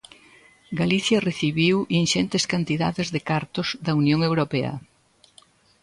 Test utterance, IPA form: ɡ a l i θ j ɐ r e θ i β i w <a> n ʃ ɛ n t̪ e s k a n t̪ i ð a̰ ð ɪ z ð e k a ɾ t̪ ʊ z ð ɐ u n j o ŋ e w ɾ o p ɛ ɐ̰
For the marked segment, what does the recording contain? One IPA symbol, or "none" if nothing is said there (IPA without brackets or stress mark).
i